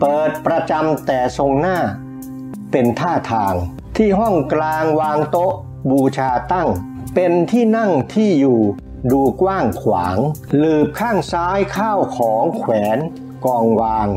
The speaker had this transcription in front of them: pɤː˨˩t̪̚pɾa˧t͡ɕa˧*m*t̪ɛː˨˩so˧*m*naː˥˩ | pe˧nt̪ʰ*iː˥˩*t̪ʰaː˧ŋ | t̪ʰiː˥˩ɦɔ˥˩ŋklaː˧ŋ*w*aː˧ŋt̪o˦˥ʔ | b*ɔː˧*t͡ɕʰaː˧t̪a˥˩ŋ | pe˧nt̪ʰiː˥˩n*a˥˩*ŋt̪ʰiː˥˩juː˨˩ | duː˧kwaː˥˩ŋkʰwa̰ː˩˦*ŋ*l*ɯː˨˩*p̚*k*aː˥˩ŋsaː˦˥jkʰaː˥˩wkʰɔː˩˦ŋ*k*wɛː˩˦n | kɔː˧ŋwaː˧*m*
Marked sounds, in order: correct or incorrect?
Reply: correct, incorrect, incorrect, correct, incorrect, correct, correct, correct, incorrect, incorrect, incorrect

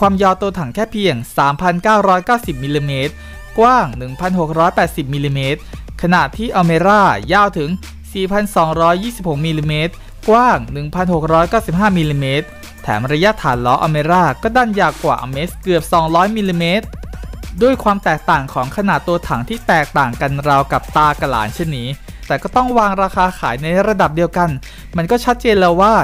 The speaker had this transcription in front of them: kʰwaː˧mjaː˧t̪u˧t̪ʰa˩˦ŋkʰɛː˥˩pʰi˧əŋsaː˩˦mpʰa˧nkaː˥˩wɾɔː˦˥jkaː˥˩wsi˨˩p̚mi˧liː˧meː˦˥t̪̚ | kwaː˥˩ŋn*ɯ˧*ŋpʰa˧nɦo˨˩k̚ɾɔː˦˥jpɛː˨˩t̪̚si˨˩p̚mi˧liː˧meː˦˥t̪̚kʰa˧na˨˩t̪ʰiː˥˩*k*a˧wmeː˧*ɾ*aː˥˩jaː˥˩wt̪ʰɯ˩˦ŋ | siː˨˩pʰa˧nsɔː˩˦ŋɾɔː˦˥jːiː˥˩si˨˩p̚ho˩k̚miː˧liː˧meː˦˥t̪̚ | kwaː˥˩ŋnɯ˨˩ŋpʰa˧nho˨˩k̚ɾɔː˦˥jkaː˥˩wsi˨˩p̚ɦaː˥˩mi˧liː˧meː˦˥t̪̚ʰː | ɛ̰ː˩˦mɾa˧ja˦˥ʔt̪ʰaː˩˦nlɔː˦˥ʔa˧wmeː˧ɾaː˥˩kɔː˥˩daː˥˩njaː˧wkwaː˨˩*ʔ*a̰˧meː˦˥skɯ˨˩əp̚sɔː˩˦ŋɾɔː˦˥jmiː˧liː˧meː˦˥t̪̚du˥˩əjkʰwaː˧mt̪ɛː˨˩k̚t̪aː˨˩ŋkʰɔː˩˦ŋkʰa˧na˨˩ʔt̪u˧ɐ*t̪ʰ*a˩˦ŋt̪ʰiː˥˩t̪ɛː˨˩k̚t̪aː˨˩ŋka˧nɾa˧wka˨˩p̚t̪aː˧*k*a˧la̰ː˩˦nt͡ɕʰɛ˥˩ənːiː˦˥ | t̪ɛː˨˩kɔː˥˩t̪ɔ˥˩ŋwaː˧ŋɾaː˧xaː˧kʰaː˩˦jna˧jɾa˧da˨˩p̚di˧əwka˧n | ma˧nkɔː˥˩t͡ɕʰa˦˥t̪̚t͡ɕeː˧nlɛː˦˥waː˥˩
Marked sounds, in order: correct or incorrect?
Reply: incorrect, incorrect, correct, correct, correct, correct

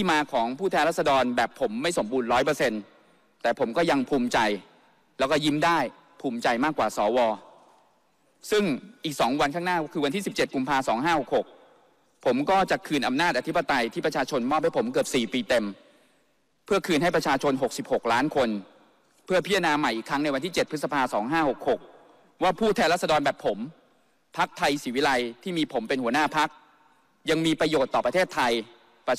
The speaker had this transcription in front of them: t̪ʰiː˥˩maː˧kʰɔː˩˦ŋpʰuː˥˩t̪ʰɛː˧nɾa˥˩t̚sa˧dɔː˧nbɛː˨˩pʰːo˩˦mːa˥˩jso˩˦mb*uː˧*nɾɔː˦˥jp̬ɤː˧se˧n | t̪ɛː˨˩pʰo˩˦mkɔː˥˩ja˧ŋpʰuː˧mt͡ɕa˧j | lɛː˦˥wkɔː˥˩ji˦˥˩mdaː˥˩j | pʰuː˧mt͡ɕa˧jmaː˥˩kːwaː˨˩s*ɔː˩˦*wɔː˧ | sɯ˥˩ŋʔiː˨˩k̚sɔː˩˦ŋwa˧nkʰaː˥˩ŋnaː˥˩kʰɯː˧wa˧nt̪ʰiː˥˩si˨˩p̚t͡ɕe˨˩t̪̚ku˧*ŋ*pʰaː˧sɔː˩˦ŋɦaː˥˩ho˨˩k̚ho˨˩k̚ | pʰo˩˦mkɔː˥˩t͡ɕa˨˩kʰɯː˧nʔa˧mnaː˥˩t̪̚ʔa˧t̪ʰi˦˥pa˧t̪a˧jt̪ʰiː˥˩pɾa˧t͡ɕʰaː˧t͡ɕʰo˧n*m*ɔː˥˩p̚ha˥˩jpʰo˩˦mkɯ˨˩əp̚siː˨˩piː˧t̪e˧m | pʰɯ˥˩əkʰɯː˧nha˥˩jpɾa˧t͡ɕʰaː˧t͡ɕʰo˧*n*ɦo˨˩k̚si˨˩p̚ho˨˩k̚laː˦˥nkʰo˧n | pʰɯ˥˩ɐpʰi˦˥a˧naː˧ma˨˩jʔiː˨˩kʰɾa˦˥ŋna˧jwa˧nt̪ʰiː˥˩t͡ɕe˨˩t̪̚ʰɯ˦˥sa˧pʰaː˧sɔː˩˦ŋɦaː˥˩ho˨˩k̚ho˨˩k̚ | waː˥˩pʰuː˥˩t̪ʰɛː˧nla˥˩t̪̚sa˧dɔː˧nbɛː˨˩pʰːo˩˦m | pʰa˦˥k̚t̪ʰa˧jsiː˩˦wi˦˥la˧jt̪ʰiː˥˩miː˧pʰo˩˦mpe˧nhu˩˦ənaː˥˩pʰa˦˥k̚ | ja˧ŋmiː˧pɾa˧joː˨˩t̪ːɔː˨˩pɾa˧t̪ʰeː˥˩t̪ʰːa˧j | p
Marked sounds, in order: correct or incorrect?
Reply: correct, correct, incorrect, correct, correct

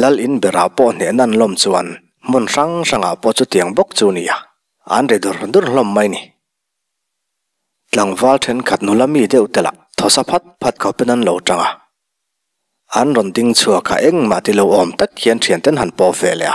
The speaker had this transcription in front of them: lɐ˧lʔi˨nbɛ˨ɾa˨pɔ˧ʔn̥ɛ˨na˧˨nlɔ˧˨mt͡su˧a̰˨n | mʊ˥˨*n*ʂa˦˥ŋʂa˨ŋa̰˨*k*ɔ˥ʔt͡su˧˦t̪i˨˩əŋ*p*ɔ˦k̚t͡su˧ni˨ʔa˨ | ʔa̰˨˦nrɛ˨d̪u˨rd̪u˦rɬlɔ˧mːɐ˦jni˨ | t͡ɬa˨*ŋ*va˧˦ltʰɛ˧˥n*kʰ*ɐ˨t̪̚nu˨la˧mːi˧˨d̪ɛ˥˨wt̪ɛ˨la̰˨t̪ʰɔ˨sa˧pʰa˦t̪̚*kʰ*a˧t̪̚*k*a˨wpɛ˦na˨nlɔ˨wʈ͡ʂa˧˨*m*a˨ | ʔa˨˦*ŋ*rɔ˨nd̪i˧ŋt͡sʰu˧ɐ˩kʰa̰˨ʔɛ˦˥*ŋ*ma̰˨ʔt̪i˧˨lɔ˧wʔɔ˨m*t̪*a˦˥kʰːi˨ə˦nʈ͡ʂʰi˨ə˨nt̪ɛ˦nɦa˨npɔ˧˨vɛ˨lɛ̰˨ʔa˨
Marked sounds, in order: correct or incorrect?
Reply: correct, incorrect, incorrect, correct, correct, incorrect, incorrect, incorrect, incorrect, correct, correct

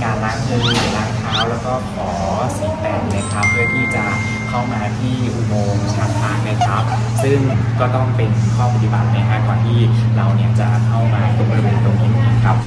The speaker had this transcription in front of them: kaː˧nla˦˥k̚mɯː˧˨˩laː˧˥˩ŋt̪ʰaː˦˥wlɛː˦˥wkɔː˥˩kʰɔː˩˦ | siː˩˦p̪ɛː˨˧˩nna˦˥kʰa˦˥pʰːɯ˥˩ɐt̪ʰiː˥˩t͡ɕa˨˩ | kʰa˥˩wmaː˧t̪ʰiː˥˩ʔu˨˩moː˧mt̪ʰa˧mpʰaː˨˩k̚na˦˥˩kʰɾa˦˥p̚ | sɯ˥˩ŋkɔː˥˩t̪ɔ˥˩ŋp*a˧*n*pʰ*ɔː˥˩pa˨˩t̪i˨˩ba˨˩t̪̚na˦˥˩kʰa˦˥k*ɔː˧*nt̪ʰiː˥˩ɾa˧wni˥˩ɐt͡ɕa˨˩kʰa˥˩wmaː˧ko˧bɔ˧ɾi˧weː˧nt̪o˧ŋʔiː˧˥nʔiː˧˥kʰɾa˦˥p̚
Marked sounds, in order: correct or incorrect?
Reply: incorrect, incorrect, correct

